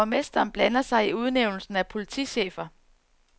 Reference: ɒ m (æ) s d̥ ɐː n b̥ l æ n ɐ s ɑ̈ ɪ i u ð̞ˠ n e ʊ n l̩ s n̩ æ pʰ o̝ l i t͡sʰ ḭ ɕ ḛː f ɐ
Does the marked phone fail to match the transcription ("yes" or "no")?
yes